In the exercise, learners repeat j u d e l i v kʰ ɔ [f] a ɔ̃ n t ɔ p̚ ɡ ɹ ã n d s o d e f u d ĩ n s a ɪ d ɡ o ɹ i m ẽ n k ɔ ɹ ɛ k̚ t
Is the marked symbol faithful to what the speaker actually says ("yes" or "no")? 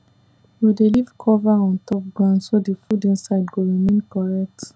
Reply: no